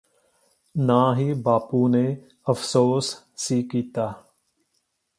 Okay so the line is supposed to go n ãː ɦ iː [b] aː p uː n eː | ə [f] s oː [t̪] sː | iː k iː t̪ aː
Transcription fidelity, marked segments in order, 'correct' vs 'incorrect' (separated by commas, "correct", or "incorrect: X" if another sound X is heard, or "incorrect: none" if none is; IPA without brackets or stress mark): correct, correct, incorrect: none